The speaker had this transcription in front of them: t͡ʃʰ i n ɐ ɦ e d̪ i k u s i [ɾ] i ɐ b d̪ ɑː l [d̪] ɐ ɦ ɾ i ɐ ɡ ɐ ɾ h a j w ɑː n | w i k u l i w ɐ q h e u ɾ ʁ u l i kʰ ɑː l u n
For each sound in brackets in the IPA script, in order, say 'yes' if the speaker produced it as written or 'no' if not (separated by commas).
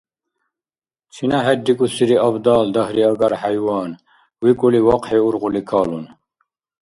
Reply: yes, yes